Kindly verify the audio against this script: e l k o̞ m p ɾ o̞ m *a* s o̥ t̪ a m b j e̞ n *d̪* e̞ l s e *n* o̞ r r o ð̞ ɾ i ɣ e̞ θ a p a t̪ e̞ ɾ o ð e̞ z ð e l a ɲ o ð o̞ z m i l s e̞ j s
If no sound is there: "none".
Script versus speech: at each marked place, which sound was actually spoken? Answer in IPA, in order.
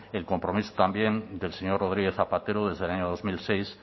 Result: i, d̪, ɲ

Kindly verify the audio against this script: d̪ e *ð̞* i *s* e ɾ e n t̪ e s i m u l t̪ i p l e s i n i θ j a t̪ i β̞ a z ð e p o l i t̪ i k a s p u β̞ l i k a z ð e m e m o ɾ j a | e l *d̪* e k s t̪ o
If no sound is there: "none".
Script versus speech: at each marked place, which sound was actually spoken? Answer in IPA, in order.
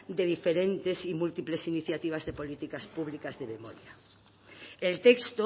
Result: ð̞, f, t̪

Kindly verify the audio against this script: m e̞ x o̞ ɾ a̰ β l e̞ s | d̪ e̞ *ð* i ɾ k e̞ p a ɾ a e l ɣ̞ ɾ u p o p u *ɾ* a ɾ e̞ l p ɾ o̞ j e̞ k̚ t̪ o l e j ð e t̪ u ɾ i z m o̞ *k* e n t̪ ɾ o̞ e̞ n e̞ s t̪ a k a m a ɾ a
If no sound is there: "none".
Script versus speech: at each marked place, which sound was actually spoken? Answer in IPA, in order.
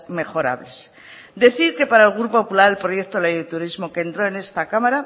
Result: θ, l, k

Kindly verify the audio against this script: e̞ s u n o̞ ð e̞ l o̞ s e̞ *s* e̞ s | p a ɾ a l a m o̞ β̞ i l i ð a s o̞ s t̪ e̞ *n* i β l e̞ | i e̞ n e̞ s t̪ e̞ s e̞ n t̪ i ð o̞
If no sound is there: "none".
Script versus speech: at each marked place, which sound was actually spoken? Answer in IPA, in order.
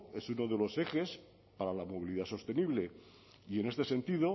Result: x, n

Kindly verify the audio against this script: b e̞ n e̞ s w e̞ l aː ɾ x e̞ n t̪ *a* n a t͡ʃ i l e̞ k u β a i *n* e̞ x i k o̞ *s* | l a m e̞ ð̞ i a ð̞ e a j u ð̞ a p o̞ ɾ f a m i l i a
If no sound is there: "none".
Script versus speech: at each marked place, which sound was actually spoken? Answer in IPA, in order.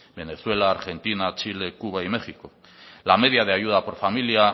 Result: i, m, none

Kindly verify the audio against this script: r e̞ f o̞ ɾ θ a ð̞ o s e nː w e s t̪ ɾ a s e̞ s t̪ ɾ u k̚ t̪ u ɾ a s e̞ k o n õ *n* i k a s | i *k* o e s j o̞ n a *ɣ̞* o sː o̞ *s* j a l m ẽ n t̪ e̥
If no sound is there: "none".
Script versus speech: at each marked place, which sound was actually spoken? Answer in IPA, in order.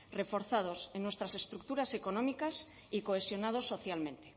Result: m, k, ð̞, θ

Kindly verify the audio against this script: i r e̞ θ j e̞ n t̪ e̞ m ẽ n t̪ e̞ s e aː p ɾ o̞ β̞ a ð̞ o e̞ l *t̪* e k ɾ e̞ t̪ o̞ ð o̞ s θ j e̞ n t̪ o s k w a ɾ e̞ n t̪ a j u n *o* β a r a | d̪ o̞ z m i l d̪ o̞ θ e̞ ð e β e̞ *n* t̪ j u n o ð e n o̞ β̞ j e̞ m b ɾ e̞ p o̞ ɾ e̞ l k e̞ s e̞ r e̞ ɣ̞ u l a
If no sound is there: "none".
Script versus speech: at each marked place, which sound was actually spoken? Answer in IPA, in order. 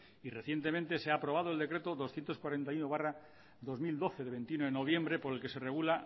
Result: d̪, o, n

